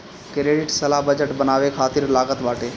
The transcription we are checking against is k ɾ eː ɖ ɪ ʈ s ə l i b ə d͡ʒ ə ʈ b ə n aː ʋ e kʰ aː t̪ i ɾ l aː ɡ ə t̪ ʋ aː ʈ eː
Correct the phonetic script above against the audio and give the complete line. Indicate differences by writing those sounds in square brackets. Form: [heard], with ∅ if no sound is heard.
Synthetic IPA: k ɾ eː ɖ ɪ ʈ s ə l [a] b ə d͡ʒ ə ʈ b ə n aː ʋ e kʰ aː t̪ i ɾ l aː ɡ ə t̪ ʋ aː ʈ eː